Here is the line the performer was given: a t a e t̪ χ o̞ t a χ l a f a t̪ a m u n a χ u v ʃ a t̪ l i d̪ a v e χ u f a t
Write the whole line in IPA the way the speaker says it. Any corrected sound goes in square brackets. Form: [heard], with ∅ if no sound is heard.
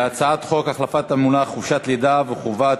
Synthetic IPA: a [t͡s] a [a] t̪ χ o̞ [k] a χ l a f a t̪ a m u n a χ u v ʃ a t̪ l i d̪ a v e χ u [v] a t